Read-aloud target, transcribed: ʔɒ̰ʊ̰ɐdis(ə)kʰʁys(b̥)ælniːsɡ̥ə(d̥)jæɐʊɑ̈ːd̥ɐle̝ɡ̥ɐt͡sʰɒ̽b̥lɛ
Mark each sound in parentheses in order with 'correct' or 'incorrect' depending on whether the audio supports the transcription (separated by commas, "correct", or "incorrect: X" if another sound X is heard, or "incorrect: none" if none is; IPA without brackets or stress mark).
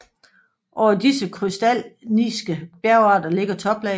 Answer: correct, incorrect: d̥, incorrect: b̥